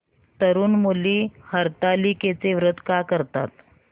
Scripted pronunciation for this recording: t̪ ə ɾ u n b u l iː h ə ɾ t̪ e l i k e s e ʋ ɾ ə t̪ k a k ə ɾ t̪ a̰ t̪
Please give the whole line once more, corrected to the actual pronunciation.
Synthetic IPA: t̪ ə ɾ uː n m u l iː h ə ɾ t̪ a l i k e t͡s e ʋ ɾ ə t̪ k a k ə ɾ t̪ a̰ t̪

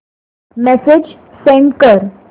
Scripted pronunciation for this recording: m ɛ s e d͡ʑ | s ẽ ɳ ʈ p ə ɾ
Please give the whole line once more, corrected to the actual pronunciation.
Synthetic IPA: m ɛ s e d͡ʑ | s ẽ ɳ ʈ k ə ɾ

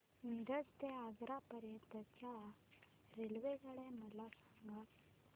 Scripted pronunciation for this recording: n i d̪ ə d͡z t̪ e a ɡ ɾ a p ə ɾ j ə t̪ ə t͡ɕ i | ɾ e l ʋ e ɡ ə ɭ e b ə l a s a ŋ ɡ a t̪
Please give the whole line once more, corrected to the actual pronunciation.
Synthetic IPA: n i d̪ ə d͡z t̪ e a ɡ ɾ a p ə ɾ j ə t̪ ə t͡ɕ a | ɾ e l ʋ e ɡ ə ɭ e m ə l a s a ŋ ɡ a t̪

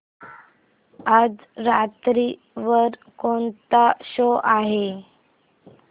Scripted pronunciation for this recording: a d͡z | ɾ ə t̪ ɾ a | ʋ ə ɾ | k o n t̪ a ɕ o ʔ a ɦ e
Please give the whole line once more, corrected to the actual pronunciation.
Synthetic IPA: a d͡z | ɾ a t̪ ɾ i | ʋ ə ɾ | k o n t̪ a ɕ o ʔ a ɦ e

